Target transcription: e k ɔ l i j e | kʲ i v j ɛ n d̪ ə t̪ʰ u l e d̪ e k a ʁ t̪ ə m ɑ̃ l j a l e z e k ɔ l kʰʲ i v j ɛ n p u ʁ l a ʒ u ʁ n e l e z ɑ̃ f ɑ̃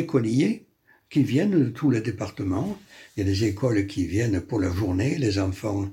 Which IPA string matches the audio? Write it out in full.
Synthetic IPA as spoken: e k ɔ l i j e | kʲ i v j ɛ n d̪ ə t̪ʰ u l e d̪ e p a ʁ t̪ ə m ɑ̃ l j a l e z e k ɔ l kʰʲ i v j ɛ n p u ʁ l a ʒ u ʁ n e l e z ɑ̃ f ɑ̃